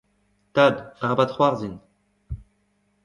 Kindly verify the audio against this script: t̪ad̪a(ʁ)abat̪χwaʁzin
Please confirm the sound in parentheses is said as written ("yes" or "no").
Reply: yes